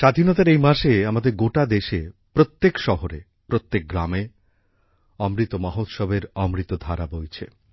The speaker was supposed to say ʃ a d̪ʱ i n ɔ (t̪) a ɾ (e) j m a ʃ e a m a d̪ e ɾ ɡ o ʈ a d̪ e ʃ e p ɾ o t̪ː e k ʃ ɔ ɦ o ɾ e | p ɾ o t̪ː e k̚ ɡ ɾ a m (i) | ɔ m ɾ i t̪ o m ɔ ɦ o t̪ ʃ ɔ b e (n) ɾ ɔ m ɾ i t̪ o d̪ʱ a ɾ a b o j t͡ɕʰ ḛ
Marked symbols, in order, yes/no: yes, yes, no, no

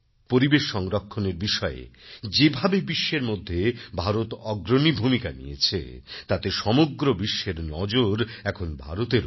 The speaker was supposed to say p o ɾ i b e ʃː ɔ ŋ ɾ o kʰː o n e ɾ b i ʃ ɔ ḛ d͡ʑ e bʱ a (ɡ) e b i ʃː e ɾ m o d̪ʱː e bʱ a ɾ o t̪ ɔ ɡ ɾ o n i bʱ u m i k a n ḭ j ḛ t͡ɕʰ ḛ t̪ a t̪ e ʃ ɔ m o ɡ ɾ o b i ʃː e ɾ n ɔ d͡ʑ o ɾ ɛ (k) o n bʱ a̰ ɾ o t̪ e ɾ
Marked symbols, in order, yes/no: no, no

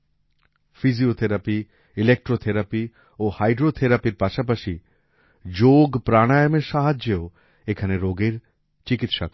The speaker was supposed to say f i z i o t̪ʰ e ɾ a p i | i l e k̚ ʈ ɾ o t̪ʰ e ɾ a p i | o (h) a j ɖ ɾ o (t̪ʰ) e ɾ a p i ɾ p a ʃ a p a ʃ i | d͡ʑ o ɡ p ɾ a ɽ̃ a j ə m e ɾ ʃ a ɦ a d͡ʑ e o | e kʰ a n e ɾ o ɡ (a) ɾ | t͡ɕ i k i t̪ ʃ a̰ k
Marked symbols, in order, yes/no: yes, yes, no

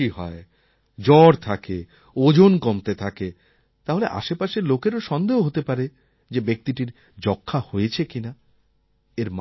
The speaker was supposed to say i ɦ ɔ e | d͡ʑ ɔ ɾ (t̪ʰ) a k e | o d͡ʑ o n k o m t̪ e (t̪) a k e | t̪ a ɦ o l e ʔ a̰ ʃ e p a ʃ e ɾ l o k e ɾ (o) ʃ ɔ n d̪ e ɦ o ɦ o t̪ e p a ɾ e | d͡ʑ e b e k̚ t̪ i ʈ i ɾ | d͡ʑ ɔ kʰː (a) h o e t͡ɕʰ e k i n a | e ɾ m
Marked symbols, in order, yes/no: yes, no, yes, yes

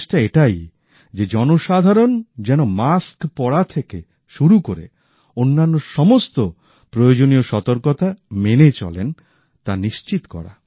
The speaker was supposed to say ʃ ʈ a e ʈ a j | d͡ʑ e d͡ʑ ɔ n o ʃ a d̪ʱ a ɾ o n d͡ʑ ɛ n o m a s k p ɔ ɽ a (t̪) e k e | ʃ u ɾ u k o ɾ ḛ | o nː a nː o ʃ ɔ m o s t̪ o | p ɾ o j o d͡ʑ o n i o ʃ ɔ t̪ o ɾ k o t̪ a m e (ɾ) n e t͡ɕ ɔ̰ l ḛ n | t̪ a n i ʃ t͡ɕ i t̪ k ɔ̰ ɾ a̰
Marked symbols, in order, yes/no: no, no

